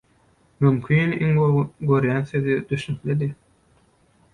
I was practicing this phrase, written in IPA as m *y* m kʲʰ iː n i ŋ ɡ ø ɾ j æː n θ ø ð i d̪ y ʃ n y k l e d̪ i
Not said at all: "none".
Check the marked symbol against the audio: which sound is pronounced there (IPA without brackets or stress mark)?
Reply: y